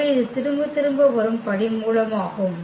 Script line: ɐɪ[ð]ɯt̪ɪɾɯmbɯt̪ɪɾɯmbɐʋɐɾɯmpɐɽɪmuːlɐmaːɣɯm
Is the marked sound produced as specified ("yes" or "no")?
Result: yes